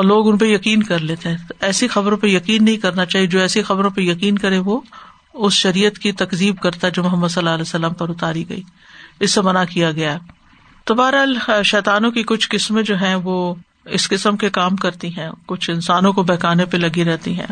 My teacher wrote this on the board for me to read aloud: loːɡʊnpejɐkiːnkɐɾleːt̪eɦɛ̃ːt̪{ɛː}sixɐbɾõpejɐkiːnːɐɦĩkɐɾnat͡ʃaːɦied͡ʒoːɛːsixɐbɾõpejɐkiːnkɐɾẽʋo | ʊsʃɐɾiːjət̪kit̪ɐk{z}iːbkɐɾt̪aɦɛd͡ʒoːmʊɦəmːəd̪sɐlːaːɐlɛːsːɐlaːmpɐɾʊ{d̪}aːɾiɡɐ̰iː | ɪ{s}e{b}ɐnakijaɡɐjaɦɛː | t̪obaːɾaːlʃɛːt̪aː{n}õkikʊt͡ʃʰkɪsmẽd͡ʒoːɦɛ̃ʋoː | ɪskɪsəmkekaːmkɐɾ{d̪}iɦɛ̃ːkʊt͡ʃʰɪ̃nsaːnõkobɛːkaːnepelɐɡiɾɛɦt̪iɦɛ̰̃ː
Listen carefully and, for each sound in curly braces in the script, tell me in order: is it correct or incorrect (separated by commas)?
correct, correct, incorrect, incorrect, incorrect, correct, incorrect